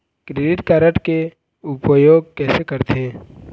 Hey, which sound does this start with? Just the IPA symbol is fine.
k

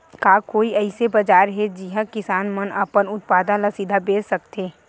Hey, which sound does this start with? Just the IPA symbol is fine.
k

